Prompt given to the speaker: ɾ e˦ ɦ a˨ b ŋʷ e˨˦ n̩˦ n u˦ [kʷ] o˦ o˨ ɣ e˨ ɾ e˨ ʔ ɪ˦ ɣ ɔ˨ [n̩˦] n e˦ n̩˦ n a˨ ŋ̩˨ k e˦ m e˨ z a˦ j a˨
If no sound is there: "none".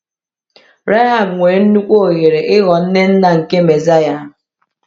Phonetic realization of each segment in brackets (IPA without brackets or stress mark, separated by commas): kʷ, n̩˦